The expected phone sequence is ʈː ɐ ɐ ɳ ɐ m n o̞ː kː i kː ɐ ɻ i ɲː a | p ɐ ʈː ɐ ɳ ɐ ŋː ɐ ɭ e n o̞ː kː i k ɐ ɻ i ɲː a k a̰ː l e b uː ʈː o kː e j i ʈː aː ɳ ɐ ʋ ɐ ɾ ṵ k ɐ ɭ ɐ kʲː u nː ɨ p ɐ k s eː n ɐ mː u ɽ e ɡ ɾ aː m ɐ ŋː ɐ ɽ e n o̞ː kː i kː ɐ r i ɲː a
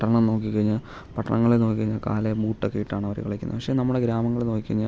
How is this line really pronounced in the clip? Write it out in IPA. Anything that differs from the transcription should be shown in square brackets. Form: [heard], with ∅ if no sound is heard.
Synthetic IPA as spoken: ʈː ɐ ɐ ɳ ɐ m n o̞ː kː i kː ɐ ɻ i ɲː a | p ɐ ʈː ɐ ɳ ɐ ŋː ɐ ɭ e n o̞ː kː i k ɐ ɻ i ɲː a k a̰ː l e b uː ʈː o kː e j i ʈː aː ɳ ɐ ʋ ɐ ɾ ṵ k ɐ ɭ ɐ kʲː u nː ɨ p ɐ k [ʂ] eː n ɐ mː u ɽ e ɡ ɾ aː m ɐ ŋː ɐ [ɭ] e n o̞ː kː i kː ɐ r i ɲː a